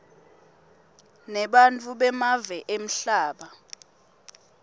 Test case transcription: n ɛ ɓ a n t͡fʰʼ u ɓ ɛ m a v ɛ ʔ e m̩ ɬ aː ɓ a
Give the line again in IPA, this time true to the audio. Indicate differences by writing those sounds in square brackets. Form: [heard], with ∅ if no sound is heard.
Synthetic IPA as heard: n ɛ ɓ a n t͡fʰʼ u ɓ ɛ m a v ɛ ʔ e m̩ ɬ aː ɓ a